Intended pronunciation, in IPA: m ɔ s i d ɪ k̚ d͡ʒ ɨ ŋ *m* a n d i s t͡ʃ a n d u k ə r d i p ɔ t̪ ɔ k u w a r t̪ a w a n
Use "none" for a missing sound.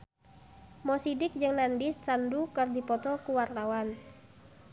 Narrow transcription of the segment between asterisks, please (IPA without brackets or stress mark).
n